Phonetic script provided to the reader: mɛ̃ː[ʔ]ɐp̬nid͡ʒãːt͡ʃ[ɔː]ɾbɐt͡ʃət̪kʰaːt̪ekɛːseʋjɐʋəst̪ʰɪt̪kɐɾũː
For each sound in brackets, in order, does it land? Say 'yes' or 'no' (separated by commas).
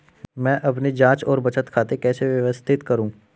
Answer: yes, yes